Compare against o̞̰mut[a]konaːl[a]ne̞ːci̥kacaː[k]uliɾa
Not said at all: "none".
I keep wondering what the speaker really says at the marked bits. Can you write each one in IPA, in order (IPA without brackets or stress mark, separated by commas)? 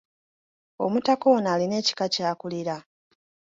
a, i, k